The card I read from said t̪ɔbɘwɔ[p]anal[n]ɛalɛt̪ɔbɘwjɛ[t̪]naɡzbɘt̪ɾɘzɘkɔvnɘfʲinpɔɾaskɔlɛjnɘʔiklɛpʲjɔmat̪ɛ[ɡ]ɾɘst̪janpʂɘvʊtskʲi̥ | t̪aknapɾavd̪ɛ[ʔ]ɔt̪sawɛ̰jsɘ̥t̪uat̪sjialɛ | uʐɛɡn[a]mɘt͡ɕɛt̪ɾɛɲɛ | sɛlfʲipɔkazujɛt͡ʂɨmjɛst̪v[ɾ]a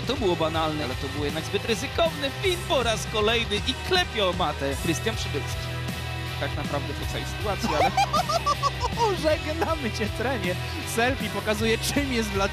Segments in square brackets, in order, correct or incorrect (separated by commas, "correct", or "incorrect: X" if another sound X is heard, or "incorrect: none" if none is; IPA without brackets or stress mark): incorrect: b, correct, incorrect: d̪, incorrect: k, incorrect: p, correct, incorrect: l